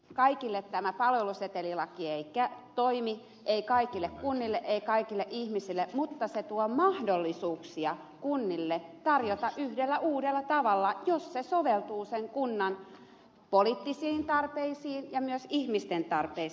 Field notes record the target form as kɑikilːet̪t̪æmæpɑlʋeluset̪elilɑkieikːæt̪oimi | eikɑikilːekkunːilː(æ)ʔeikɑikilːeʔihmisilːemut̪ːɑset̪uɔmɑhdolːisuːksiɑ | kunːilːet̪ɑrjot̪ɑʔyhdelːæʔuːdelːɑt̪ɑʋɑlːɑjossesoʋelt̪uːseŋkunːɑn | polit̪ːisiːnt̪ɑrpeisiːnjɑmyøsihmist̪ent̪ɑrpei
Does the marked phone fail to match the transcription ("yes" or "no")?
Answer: yes